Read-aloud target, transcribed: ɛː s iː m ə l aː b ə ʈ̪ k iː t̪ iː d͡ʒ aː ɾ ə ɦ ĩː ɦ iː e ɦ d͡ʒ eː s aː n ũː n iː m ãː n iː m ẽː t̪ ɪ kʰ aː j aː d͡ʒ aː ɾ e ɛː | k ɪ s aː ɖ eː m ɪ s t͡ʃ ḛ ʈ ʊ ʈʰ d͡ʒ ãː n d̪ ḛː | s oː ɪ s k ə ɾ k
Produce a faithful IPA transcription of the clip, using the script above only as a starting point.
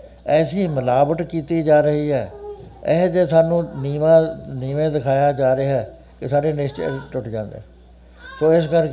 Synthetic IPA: ɛː s iː m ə l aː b ə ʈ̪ k iː t̪ iː d͡ʒ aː ɾ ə ɦ iː ɦ ɛː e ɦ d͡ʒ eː s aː n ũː n iː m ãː n iː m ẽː d̪ ɪ kʰ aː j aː d͡ʒ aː ɾ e ɛː | k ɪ s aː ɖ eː n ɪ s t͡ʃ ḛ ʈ ʊ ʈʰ d͡ʒ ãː n d̪ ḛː | s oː ɪ s k ə ɾ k